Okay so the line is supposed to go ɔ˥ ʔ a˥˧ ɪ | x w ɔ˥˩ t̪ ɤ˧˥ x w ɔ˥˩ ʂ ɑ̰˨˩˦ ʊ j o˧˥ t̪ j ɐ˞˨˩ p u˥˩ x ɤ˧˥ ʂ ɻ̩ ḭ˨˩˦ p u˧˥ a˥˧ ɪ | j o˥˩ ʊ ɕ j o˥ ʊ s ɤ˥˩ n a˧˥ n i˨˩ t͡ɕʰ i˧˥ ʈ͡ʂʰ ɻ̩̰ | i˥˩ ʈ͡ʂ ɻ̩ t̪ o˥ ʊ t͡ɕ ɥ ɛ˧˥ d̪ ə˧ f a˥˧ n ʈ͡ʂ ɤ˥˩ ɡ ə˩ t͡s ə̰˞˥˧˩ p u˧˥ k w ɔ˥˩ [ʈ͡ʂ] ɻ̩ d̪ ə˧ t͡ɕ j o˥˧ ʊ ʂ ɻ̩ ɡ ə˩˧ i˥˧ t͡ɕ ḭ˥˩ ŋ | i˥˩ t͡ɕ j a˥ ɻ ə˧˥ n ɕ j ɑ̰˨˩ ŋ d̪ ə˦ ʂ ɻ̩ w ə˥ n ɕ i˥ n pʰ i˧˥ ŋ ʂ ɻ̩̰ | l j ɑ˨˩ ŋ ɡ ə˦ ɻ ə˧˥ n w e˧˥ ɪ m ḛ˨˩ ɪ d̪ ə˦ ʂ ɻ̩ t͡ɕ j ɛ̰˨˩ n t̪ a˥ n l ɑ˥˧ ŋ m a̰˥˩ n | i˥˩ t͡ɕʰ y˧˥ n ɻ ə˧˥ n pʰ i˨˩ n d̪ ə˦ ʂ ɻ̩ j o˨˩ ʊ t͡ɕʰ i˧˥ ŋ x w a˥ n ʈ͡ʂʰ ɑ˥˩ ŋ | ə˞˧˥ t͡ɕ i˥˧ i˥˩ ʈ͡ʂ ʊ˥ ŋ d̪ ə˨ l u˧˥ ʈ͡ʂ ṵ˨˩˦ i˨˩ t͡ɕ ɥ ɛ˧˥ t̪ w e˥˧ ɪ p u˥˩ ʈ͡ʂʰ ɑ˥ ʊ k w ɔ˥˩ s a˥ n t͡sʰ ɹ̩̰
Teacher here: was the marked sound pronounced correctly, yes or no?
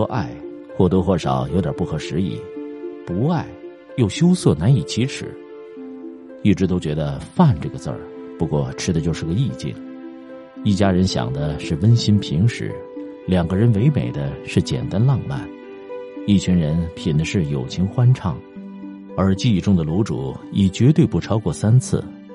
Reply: no